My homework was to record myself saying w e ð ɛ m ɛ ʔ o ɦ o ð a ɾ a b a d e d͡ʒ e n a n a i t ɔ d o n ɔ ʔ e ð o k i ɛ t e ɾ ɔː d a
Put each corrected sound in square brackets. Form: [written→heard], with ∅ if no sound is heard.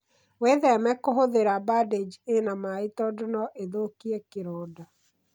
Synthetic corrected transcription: w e ð ɛ m ɛ [ʔ→k] o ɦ o ð [a→e] ɾ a b a d e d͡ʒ e n a [n→m] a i t ɔ d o n ɔ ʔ e ð o k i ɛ [t→k] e ɾ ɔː d a